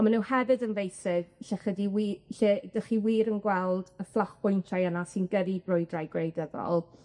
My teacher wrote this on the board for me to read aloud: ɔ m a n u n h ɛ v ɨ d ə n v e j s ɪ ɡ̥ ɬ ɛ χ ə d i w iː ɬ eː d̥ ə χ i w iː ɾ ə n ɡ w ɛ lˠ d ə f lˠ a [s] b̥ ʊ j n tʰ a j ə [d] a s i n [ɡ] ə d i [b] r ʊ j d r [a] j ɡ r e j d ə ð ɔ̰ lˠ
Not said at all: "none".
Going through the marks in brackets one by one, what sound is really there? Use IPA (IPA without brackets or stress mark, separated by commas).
χ, n, ɡ, b, a